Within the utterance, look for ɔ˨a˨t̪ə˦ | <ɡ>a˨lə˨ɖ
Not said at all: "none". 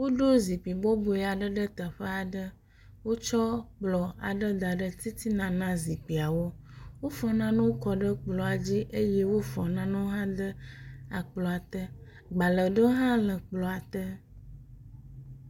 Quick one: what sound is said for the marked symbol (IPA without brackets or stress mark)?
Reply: ɡ͡b